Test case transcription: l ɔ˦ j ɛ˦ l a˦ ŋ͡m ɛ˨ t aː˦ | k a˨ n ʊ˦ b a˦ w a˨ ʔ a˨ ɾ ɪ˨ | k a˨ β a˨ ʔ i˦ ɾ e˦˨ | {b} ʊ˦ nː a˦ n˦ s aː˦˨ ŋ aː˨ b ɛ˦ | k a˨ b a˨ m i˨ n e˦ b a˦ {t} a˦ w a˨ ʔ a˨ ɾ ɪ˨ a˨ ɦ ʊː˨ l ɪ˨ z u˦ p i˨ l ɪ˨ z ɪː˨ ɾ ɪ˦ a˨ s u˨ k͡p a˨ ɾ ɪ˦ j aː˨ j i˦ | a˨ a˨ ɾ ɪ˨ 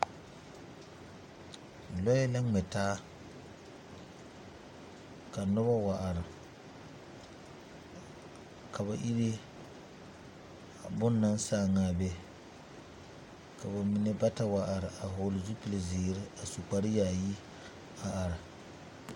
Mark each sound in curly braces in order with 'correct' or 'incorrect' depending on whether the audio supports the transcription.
correct, correct

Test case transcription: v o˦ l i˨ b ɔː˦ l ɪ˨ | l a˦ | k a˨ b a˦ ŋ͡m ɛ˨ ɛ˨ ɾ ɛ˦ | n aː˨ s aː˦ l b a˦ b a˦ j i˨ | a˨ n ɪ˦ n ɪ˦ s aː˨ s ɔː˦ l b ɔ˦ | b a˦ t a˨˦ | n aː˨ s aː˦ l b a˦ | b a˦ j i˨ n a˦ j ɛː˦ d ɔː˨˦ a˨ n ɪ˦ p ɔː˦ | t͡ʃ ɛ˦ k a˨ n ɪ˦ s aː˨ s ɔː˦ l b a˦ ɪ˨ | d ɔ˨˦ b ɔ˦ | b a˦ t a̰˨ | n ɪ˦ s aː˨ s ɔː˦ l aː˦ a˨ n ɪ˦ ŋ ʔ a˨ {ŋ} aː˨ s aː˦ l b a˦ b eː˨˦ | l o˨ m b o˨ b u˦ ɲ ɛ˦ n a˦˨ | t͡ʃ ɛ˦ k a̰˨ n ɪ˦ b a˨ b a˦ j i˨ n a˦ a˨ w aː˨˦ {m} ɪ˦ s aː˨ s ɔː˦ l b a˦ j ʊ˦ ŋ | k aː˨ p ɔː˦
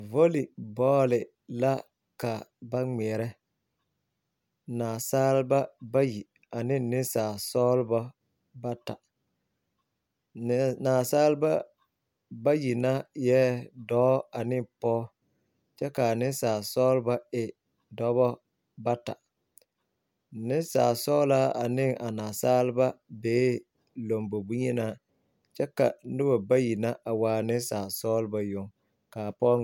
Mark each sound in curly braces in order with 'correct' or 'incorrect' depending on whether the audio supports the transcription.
incorrect, incorrect

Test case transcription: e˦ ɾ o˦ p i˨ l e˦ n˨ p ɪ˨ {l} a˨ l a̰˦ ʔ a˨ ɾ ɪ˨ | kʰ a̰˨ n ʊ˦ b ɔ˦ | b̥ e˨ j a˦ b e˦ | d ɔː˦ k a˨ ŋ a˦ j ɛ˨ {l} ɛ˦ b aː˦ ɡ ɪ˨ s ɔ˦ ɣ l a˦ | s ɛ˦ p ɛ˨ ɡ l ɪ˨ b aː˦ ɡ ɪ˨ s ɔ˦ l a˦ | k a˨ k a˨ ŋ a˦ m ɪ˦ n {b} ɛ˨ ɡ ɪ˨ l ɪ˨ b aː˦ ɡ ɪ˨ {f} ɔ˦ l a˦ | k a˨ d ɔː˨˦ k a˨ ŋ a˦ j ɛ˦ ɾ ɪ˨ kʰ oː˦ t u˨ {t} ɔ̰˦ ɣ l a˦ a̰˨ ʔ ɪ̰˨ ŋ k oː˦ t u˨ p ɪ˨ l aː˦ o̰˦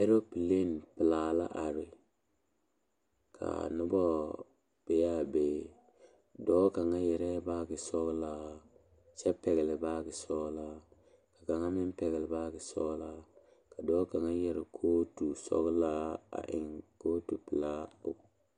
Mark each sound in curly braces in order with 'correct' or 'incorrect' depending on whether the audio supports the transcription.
correct, incorrect, incorrect, incorrect, incorrect

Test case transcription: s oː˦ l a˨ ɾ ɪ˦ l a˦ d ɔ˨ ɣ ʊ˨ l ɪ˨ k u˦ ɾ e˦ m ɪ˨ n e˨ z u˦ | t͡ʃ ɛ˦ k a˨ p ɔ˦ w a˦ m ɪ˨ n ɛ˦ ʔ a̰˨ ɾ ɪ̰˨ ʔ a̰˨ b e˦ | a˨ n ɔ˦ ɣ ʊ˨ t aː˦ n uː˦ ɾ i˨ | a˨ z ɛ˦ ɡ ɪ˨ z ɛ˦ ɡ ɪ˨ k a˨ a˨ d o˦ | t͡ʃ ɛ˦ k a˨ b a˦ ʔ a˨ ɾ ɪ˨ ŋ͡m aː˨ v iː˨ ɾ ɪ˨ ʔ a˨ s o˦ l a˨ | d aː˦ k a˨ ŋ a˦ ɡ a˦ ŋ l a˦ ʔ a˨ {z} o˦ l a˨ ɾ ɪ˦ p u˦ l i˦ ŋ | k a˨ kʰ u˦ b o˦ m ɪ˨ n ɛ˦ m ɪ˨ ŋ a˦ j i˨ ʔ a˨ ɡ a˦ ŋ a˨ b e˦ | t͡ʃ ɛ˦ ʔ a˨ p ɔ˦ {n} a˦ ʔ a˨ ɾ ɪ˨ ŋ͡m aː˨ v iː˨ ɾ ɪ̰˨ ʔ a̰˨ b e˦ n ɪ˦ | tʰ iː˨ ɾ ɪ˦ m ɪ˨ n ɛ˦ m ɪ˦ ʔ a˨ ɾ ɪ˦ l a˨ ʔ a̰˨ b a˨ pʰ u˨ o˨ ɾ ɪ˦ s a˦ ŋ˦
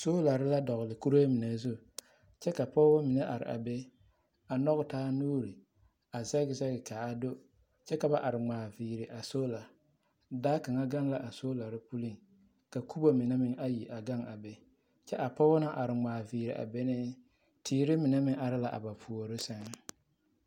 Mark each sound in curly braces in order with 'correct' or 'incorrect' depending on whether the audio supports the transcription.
incorrect, correct

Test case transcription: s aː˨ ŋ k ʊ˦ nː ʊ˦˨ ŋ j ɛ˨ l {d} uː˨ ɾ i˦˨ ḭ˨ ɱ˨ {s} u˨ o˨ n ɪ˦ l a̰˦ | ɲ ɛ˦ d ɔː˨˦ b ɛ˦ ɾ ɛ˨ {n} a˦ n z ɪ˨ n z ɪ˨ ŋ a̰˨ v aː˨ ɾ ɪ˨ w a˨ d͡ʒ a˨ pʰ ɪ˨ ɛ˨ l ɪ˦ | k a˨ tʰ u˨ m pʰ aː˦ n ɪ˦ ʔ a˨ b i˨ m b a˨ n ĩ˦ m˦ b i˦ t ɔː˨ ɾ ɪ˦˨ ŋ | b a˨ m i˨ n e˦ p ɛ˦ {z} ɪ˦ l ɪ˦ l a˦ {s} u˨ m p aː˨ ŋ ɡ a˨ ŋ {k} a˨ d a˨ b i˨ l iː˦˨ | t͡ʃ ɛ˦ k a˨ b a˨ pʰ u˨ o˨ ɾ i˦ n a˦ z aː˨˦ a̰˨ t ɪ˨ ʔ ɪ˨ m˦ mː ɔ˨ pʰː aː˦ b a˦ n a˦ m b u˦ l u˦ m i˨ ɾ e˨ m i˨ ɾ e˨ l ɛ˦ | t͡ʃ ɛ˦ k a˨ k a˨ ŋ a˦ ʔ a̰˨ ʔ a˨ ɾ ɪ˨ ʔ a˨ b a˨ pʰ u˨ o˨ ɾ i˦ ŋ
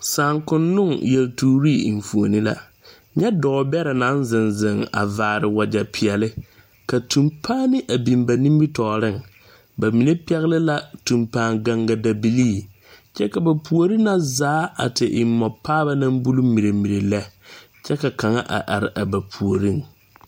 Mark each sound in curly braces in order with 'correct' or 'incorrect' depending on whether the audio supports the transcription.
incorrect, incorrect, correct, incorrect, incorrect, incorrect

